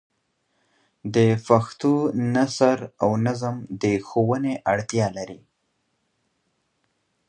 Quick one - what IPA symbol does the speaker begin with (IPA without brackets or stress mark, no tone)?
d̪